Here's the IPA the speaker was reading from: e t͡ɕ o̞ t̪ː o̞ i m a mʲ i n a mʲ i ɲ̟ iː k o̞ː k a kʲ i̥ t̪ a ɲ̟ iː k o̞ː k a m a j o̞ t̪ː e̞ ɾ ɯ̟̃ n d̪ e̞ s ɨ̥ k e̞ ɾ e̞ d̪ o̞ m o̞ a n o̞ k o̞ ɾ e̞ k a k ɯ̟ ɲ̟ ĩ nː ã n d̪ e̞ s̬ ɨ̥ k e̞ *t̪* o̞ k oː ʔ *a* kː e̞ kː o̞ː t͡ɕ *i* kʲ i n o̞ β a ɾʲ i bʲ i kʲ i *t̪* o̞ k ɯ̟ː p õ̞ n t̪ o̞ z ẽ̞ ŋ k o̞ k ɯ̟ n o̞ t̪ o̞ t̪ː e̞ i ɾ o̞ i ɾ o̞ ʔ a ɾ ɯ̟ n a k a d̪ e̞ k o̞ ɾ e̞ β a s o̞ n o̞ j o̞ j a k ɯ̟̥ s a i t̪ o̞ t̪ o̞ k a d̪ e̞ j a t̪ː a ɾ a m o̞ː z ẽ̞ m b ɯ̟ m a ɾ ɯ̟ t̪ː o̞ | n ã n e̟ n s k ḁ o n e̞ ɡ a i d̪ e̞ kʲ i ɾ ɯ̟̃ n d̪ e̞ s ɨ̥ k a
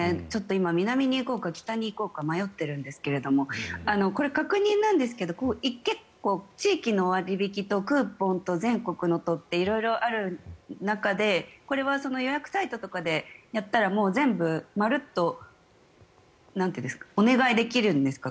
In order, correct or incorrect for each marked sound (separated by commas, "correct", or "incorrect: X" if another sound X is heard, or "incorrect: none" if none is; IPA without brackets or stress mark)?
incorrect: d̪, incorrect: i, incorrect: iː, correct